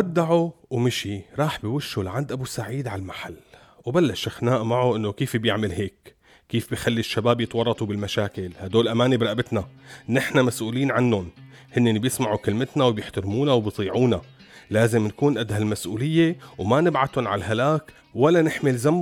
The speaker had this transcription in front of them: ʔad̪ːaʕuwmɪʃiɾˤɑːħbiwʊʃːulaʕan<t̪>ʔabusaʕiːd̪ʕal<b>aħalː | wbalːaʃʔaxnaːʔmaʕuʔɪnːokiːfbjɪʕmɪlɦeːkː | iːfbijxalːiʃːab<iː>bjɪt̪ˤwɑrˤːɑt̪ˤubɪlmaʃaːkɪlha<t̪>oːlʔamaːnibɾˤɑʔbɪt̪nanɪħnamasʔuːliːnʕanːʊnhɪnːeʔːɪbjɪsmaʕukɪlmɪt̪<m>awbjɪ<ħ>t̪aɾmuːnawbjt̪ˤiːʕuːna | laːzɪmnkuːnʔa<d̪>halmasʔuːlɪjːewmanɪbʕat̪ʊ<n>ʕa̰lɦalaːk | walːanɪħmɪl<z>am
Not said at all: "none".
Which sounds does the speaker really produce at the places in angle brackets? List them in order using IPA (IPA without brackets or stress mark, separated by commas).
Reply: d̪, m, aː, d̪, n, ħ, d̪, n, z